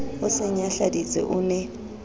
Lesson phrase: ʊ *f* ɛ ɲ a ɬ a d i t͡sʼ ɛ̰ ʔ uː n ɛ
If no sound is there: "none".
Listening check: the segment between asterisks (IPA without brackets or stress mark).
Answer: s